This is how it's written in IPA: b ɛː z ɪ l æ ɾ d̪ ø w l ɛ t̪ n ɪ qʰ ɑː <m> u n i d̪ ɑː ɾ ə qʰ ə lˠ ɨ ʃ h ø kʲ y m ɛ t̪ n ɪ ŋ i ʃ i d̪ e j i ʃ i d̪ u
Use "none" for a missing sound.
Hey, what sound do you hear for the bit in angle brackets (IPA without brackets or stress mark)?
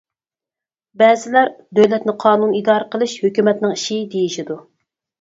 n